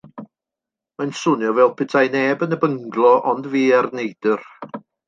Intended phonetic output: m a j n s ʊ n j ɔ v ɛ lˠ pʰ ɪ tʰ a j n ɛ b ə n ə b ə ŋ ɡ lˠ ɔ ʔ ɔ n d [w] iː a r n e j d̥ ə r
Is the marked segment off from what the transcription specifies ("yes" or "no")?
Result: yes